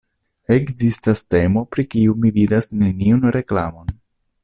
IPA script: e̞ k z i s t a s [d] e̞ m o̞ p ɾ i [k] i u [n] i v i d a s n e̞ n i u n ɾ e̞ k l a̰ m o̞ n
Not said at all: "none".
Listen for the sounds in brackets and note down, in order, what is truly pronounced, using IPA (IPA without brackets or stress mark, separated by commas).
t, k, m